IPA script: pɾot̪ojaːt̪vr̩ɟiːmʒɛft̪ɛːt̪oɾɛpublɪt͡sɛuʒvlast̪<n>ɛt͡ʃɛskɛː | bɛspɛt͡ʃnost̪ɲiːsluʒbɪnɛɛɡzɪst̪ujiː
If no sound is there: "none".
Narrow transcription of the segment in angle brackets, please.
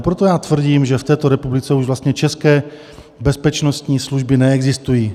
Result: ɲ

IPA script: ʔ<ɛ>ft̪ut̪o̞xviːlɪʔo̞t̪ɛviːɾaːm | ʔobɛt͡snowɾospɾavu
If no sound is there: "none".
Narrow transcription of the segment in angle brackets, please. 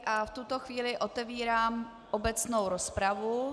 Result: a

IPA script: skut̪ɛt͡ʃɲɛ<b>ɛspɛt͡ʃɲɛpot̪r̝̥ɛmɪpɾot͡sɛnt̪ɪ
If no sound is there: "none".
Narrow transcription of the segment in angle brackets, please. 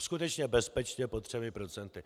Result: b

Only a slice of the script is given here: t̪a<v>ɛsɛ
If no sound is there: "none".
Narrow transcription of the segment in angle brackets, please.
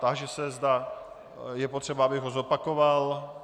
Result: ʒ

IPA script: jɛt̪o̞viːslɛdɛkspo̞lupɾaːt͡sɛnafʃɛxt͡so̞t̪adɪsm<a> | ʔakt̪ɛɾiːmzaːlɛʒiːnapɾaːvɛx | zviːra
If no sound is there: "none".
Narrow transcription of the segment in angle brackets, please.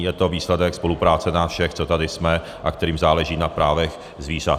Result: ɛ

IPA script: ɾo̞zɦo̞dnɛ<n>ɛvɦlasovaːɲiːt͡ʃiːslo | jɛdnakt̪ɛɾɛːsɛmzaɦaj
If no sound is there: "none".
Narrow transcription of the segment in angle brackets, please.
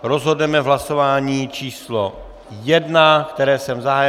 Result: m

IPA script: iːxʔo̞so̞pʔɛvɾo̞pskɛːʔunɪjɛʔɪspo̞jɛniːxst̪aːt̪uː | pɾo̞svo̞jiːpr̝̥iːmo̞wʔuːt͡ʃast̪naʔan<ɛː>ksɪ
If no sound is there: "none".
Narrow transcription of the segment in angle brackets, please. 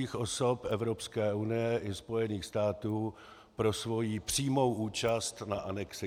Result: ɛ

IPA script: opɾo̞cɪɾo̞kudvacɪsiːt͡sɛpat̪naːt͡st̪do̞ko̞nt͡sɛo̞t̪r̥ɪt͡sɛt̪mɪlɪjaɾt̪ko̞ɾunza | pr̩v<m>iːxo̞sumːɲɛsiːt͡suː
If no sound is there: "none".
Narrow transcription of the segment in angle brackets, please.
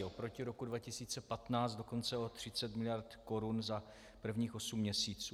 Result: ɲ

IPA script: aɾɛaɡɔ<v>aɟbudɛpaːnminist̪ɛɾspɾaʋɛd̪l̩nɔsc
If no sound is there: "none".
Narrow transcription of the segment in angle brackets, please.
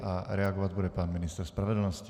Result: ʋ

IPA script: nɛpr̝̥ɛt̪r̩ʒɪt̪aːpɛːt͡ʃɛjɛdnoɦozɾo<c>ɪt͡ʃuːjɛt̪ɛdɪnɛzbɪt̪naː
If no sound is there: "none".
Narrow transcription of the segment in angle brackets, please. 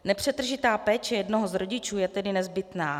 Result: ɟ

